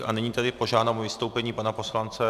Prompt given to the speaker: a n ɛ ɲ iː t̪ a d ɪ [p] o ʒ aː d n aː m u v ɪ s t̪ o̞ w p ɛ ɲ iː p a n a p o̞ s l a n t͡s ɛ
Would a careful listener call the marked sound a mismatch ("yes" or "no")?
no